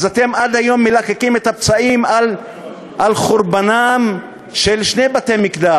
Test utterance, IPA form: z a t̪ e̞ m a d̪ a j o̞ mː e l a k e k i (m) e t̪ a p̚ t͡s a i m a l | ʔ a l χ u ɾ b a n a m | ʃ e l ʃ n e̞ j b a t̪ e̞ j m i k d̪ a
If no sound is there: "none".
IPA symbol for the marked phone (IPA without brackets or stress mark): m